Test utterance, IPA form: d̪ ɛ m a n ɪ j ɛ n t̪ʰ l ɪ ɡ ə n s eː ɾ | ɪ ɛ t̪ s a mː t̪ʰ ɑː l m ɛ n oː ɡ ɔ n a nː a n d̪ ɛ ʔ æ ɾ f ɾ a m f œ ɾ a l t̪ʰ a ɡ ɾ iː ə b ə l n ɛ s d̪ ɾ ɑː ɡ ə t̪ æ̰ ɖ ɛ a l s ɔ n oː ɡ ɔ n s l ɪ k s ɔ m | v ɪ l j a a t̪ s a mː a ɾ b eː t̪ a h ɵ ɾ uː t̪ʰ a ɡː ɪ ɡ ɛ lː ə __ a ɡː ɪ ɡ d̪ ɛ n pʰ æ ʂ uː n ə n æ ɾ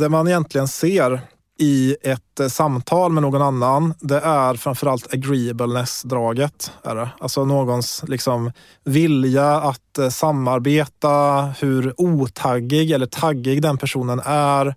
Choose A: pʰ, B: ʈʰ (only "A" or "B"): B